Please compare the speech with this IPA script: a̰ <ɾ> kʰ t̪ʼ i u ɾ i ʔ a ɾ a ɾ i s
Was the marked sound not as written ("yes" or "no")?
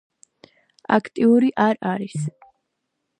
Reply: yes